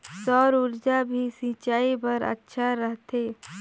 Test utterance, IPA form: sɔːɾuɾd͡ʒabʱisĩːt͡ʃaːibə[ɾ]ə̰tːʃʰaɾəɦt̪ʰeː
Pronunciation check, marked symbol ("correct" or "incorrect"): correct